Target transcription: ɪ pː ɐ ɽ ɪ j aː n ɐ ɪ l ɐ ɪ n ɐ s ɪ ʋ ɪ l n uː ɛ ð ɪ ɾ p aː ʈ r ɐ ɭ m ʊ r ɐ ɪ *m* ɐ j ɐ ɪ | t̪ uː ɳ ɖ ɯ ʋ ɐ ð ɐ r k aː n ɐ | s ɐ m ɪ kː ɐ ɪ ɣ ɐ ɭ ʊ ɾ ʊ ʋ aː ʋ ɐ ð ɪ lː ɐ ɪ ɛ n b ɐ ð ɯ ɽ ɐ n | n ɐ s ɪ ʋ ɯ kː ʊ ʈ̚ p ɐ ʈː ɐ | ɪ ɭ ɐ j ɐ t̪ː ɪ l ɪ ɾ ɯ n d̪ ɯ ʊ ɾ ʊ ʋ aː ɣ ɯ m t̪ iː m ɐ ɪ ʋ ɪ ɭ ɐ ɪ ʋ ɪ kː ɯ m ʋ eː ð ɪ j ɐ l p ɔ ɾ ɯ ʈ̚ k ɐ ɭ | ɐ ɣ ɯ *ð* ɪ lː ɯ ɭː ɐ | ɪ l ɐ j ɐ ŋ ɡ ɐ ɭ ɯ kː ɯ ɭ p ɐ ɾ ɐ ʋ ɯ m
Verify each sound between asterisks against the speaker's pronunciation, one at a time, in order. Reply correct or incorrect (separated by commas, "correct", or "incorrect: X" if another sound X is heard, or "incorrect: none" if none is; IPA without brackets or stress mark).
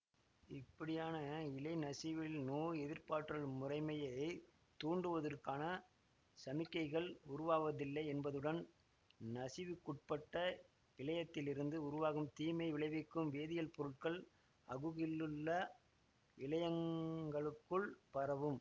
correct, incorrect: ɣ